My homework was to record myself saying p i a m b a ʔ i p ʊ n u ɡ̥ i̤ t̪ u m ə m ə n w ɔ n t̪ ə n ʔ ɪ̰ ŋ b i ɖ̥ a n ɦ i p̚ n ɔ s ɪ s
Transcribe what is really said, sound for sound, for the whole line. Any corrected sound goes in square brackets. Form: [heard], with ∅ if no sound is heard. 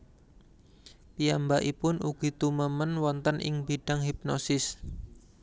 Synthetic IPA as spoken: p i a m b a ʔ i p ʊ n u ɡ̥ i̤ t̪ u m ə m ə n w ɔ n t̪ ə n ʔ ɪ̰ ŋ b i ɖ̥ a [ŋ] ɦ i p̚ n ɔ s ɪ s